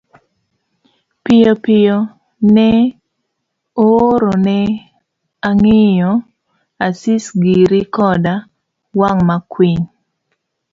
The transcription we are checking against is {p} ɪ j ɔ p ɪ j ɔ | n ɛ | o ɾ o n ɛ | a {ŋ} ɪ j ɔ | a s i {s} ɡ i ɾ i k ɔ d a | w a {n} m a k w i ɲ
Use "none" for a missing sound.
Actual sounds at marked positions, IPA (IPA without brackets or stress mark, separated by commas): p, ŋ, s, ŋ